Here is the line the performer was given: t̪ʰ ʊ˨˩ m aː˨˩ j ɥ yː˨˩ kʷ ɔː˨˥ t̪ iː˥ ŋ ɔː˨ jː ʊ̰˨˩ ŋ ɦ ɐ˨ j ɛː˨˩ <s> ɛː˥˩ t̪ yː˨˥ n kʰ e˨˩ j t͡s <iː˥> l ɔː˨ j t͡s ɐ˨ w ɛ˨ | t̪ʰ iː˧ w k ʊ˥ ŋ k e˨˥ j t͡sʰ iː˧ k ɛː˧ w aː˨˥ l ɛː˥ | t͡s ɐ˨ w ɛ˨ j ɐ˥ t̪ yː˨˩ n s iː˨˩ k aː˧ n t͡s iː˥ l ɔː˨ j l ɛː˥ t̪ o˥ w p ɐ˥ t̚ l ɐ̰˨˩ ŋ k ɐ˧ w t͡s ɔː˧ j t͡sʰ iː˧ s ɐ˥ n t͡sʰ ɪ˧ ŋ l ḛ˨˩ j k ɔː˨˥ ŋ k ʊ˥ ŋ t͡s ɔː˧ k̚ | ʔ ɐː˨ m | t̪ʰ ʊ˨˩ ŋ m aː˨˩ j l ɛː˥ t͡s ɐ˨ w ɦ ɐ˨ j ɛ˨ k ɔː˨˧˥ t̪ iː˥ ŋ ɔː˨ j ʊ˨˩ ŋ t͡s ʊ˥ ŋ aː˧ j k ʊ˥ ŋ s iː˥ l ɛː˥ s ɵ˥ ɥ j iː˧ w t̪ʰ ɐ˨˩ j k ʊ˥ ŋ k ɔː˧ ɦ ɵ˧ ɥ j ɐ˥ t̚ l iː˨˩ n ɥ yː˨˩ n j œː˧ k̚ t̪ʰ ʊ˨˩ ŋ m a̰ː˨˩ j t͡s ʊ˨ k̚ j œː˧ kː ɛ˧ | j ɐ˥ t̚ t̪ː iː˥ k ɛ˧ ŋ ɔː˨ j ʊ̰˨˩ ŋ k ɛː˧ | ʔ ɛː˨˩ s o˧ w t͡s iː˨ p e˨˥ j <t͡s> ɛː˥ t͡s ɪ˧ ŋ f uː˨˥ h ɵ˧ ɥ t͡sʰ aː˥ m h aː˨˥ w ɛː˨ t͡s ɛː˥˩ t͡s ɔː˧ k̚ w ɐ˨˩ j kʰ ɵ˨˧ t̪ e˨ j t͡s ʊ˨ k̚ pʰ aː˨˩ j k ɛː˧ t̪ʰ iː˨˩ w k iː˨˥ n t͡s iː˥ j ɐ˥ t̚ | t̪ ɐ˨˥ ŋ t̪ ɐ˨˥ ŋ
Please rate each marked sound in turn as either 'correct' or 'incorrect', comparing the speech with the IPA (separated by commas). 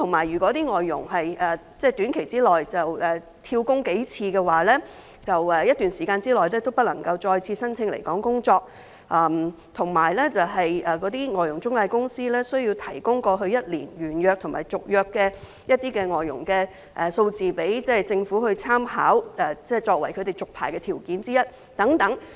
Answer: incorrect, correct, correct